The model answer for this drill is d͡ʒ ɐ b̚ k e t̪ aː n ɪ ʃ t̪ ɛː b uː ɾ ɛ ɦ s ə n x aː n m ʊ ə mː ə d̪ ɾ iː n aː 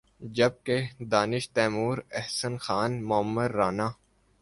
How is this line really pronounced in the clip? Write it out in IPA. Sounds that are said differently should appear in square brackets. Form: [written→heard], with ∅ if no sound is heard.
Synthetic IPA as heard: d͡ʒ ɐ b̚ k e [t̪→d̪] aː n ɪ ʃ t̪ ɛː [b→m] uː ɾ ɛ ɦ s ə n x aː n m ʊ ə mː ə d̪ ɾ [iː→aː] n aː